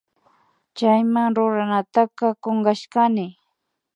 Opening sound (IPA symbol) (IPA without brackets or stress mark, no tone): t͡ʃ